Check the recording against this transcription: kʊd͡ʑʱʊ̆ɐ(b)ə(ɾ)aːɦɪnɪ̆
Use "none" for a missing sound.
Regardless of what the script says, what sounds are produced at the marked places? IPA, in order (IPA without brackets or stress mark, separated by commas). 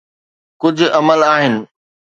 m, l